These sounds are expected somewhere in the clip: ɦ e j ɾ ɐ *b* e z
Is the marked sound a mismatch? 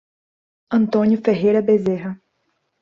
no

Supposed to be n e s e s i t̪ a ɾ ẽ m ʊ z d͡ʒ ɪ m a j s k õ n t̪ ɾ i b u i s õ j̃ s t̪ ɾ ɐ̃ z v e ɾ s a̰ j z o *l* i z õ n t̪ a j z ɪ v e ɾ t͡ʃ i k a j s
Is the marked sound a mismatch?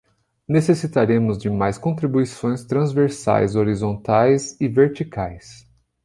yes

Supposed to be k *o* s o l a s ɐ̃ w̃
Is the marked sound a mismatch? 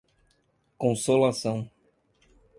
yes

